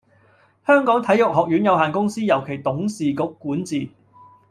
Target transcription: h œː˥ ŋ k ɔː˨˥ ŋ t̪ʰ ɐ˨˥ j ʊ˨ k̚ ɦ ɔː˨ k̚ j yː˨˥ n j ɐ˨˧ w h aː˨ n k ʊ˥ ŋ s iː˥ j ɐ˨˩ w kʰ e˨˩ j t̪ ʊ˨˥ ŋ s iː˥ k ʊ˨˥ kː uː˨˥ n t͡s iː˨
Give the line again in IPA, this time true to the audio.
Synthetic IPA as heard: h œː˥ ŋ k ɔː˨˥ ŋ t̪ʰ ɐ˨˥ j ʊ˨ k̚ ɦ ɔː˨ k̚ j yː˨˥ n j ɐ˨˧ w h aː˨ n k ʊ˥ ŋ s iː˥ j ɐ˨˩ w kʰ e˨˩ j t̪ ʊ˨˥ ŋ s iː˨ k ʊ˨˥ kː uː˨˥ n t͡s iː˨